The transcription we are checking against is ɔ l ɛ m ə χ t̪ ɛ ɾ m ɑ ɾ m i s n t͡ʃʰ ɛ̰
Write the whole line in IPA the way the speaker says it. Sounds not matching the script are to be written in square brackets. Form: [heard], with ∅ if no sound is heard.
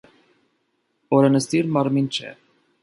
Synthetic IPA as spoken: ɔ [ɾ] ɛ [n] ə [s] t̪ [i] ɾ m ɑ ɾ m i [∅] n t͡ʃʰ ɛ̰